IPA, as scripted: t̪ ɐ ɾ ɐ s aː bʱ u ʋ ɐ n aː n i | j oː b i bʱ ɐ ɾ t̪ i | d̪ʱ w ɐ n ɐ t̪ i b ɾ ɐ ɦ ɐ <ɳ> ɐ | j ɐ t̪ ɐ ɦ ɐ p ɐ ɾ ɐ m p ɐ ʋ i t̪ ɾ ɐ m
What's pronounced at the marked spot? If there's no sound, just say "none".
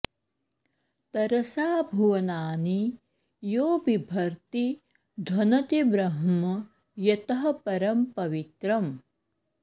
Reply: m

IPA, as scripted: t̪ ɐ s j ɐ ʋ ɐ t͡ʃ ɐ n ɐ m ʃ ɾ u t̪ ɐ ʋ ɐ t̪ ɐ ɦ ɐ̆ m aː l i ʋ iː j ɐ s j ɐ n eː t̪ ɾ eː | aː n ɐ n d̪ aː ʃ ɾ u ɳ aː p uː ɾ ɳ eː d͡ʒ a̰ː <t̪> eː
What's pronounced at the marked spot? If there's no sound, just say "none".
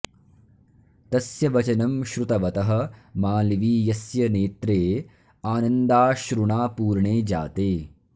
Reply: t̪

